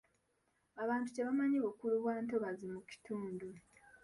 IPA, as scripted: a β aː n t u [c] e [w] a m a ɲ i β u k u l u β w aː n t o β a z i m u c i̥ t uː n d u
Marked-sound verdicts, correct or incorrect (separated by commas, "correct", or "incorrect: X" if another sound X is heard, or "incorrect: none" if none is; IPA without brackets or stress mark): correct, incorrect: β